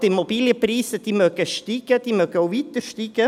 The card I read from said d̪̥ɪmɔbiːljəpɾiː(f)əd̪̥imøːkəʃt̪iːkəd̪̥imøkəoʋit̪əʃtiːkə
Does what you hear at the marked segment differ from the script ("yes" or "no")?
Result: yes